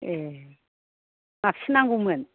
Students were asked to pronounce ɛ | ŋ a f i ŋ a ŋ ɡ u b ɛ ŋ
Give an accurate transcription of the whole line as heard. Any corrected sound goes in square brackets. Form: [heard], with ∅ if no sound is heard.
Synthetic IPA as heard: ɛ | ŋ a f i [n] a ŋ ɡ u [m] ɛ [n]